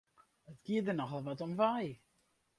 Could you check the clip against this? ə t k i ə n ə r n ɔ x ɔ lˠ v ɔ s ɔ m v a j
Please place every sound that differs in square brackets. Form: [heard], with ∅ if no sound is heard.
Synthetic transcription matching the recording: ə t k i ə [d] ə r n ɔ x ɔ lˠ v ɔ [t] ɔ m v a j